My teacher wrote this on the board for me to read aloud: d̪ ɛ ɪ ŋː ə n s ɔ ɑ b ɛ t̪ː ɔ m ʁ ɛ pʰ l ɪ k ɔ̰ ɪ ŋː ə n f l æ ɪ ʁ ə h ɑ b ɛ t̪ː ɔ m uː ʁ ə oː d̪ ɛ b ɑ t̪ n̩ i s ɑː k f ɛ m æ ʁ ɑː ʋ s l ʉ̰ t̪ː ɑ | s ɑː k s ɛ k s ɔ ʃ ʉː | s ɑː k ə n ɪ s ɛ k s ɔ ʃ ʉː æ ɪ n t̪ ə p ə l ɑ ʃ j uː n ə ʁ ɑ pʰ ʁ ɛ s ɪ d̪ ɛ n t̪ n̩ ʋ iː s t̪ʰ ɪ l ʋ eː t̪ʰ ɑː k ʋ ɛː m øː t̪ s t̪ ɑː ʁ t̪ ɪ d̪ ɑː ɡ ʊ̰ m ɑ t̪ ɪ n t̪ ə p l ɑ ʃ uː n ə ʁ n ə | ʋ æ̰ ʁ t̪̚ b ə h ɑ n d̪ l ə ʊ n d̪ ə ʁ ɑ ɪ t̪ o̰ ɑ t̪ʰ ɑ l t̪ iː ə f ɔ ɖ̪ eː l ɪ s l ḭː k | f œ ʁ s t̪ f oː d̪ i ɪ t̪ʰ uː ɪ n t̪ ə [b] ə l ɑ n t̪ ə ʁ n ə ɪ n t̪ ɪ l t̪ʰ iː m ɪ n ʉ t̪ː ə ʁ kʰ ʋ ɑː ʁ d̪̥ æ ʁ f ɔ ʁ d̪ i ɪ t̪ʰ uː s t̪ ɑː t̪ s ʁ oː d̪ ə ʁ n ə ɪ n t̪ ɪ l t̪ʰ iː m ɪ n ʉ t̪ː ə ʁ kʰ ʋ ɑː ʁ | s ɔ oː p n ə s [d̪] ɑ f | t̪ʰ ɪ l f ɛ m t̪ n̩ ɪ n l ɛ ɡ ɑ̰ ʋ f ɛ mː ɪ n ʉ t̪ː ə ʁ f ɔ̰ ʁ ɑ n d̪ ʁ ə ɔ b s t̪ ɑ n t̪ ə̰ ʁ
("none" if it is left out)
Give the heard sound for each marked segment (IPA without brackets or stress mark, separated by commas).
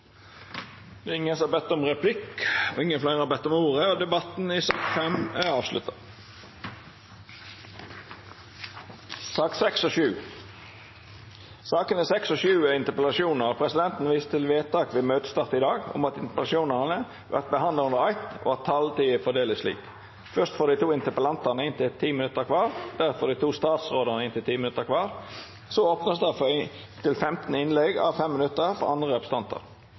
p, d̪